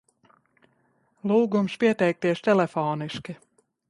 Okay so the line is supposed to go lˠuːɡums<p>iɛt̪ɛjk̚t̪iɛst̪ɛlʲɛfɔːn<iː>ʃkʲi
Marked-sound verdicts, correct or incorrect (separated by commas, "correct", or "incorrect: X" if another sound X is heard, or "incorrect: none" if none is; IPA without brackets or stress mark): correct, incorrect: i